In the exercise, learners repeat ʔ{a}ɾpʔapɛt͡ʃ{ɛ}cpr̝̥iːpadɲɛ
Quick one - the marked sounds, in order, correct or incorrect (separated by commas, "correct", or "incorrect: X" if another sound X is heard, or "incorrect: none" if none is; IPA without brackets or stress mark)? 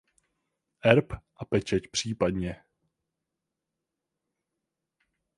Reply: incorrect: ɛ, correct